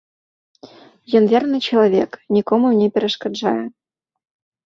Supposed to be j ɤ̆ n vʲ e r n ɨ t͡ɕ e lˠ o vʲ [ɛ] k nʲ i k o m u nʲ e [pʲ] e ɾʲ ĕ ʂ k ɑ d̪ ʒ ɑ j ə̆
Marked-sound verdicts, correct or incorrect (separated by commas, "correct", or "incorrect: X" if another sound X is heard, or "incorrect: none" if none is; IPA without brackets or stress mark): incorrect: e, correct